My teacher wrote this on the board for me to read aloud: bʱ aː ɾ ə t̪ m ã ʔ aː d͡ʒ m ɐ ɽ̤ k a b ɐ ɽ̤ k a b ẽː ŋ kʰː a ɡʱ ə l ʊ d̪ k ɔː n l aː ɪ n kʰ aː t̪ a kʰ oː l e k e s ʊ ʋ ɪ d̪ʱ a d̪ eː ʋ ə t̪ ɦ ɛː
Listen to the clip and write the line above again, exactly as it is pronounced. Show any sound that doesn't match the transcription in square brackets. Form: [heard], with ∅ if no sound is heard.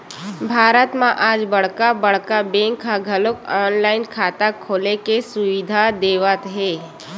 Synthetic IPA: bʱ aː ɾ ə t̪ m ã ʔ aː d͡ʒ [b] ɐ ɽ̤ k a b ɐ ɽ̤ k a b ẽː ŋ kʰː a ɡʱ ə l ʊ [∅] k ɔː n l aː ɪ n kʰ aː t̪ a kʰ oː l e k e s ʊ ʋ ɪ d̪ʱ a d̪ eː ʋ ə t̪ ɦ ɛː